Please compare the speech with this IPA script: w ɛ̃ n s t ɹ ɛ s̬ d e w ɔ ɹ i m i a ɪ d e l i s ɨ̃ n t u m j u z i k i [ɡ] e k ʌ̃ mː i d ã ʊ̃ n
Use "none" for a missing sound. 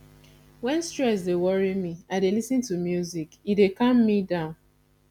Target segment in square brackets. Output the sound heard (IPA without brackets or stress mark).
d